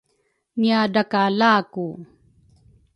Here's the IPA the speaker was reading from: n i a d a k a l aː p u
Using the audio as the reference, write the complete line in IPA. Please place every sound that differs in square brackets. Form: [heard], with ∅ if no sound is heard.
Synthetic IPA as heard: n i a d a k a l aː [k] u